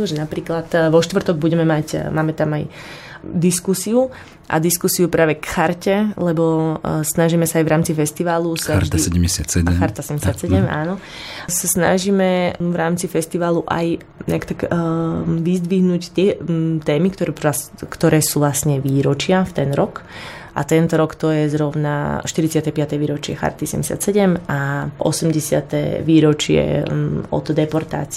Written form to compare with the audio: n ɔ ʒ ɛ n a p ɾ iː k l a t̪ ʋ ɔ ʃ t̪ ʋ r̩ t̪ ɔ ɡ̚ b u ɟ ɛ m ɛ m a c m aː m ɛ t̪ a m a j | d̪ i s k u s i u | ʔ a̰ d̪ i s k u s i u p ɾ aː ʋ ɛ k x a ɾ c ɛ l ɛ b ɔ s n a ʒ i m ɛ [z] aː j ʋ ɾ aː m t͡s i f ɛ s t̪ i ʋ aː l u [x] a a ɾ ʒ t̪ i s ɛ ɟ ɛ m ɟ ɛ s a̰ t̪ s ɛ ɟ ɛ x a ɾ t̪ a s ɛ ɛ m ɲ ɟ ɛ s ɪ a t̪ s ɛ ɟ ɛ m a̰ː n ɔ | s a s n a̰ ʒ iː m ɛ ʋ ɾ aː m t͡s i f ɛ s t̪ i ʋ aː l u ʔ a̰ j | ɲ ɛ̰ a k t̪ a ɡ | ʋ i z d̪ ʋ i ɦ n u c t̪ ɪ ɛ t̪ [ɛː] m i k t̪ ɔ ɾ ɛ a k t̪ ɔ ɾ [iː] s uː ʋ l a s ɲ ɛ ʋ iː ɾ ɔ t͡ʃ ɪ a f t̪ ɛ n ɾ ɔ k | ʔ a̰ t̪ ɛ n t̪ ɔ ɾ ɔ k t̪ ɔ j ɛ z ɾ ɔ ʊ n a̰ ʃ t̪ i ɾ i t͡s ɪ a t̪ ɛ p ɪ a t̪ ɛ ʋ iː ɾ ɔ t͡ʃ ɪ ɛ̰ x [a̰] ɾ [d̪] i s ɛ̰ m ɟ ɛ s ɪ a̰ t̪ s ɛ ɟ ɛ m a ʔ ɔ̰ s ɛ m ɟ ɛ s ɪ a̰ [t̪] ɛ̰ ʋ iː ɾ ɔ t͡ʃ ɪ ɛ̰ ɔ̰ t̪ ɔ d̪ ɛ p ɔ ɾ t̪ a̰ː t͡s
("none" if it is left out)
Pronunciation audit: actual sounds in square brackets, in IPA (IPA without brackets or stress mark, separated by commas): s, s, ɛː, ɛː, a̰, t̪, t̪